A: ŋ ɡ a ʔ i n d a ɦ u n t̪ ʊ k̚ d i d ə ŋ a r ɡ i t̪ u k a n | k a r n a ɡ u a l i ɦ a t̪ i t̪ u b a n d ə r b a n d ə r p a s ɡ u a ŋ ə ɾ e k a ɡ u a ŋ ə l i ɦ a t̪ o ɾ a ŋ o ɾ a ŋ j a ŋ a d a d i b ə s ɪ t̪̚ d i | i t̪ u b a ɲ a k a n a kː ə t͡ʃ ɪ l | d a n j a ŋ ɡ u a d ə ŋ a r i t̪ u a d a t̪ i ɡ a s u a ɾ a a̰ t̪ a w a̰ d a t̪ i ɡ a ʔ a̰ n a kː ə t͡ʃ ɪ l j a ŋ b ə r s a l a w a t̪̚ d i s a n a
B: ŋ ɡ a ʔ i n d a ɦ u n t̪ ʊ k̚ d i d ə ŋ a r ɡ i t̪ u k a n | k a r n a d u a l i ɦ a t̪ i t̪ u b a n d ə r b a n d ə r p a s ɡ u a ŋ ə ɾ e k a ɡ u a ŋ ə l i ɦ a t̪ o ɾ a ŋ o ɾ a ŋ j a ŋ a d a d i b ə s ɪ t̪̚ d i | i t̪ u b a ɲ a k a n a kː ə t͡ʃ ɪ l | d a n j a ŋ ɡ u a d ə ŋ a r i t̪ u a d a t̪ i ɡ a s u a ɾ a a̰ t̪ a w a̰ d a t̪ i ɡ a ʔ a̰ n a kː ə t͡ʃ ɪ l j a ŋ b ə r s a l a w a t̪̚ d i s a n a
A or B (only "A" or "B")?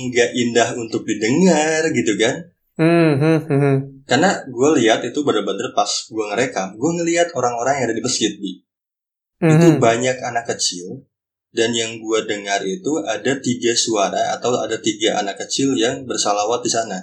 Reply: A